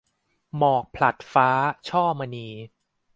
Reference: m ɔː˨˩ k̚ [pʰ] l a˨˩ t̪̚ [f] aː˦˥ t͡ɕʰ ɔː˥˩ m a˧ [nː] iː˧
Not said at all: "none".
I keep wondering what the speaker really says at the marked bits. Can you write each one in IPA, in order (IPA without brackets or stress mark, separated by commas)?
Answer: pʰ, f, n